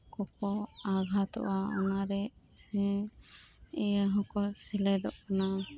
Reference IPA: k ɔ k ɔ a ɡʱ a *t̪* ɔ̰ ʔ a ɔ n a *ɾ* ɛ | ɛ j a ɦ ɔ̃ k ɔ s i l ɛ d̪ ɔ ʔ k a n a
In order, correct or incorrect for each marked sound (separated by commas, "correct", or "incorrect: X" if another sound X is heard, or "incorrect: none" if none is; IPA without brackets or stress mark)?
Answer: correct, correct